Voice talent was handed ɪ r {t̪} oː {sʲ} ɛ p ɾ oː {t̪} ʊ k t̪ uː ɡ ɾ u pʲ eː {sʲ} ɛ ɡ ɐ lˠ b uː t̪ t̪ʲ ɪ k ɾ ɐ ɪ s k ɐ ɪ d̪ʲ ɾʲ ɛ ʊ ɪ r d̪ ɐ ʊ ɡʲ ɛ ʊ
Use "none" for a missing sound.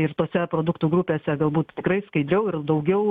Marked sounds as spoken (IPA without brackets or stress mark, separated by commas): t̪, sʲ, d̪, sʲ